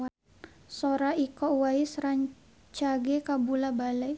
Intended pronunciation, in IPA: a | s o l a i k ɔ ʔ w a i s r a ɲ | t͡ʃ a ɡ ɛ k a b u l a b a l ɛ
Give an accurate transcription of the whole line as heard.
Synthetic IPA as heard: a | s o ɾ a i k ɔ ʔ w a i s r a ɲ | t͡ʃ a ɡ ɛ k a b u l a b a l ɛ